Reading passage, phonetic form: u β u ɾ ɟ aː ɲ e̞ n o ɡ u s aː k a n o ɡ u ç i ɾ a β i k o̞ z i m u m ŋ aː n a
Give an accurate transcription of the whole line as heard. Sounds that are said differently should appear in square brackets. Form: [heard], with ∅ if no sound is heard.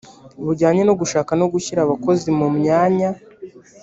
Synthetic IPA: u β u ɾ ɟ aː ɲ e̞ n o ɡ u [ʃ] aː k a n o ɡ u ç i ɾ a β [a] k o̞ z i m u m [ɲ] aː [ɲ] a